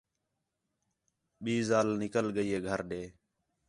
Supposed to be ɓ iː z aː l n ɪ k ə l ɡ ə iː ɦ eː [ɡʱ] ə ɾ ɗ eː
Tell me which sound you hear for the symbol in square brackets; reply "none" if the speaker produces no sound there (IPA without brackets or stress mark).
ɡʱ